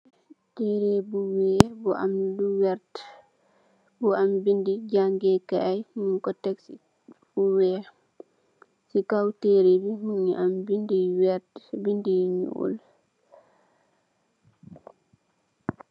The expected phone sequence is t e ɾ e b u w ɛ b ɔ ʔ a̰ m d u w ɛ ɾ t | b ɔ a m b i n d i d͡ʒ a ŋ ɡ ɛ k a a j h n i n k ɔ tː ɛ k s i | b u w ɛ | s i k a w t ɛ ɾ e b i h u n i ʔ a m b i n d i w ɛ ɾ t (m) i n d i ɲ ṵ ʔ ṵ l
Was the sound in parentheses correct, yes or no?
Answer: no